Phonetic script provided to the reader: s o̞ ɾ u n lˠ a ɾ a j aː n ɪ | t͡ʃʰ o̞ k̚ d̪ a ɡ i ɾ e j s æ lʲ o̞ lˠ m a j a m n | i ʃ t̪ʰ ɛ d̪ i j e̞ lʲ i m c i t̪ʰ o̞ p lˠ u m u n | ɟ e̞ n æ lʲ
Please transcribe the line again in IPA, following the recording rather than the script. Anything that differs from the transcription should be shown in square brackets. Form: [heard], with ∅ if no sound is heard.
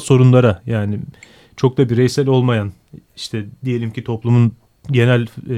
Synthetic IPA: s o̞ ɾ u n lˠ a ɾ a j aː n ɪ | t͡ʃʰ o̞ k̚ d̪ a [b] i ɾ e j s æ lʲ o̞ lˠ m a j a [∅] n | i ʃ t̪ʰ ɛ d̪ i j e̞ lʲ i m c i t̪ʰ o̞ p lˠ u m u n | ɟ e̞ n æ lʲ